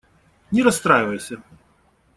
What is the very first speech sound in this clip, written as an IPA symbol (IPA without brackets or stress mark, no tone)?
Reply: nʲ